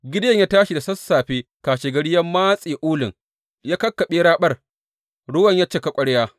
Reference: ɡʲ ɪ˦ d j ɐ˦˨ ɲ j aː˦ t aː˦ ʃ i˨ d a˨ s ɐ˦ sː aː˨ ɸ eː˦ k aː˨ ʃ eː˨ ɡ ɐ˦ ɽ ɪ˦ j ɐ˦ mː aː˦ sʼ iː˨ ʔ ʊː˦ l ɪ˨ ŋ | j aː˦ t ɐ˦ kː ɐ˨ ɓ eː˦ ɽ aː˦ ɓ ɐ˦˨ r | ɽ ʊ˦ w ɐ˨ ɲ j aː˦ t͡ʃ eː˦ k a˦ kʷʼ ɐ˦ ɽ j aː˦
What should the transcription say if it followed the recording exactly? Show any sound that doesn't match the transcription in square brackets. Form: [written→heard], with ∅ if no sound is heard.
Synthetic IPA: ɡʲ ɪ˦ d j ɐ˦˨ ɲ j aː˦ t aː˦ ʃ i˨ d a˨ s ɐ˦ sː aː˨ ɸ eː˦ k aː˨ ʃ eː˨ ɡ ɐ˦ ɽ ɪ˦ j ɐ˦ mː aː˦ sʼ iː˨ ʔ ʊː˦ l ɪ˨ ŋ | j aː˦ [t→k] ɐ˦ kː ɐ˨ ɓ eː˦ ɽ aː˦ ɓ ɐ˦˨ r | ɽ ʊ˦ w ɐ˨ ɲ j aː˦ t͡ʃ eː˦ k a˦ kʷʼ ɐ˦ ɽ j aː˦